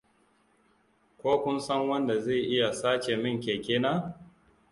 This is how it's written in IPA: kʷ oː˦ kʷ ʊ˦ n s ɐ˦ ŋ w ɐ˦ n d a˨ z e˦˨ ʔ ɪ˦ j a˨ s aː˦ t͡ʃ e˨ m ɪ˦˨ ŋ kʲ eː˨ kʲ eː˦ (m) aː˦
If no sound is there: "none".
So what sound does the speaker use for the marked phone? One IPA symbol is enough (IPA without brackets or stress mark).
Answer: n